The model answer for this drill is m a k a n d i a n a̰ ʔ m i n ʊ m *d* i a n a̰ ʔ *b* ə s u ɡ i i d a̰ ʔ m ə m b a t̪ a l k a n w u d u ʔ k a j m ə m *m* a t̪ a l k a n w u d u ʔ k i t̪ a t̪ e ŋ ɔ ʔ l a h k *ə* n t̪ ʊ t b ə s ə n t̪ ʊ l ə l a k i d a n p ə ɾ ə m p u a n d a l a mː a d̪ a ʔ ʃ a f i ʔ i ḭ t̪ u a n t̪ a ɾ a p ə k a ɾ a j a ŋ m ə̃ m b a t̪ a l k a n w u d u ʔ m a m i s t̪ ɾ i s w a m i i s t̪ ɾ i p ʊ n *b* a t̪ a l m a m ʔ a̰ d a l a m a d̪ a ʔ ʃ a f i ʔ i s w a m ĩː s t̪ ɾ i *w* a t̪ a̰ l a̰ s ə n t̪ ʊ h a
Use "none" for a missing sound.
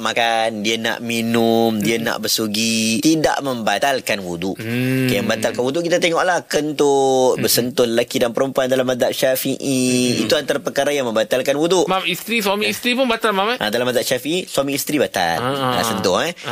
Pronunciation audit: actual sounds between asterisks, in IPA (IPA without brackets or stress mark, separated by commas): d, b, b, ə, b, b